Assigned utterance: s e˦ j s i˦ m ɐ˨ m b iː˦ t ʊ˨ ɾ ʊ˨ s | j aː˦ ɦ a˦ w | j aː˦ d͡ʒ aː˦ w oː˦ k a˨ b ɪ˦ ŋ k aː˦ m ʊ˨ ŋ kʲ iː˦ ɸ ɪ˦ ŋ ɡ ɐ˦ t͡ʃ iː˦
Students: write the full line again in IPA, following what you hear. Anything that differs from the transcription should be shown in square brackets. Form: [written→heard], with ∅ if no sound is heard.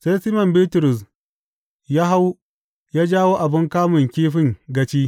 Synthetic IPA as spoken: s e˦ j s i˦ m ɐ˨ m b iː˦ t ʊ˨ ɾ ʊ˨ s | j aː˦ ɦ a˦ w | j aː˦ d͡ʒ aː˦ w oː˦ [k→ʔ] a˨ b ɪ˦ ŋ k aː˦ m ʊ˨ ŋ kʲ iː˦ ɸ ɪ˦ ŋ ɡ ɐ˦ t͡ʃ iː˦

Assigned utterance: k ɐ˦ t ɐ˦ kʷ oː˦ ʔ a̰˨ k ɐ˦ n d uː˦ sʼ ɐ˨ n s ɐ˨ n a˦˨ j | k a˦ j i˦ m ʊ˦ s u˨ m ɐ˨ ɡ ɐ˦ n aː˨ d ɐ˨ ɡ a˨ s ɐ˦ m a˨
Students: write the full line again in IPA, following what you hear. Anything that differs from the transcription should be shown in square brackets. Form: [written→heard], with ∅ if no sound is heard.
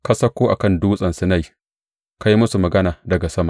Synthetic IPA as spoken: k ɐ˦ [t→s] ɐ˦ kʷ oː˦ ʔ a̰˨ k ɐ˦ n d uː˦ sʼ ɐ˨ n s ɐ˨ n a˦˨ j | k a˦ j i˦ m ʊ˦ s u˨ m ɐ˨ ɡ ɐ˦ n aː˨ d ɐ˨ ɡ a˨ s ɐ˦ m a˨

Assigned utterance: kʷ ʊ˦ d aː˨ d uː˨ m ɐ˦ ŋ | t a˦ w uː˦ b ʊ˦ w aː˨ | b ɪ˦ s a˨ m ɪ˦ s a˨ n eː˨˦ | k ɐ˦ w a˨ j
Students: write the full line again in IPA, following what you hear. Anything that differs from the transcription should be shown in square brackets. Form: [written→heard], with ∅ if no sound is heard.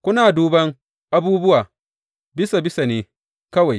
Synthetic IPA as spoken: kʷ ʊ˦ [d→n] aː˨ d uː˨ [m→b] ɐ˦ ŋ | [t→ʔ] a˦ [w→b] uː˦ b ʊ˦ w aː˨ | b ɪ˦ s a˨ [m→b] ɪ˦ s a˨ n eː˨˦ | k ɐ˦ w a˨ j

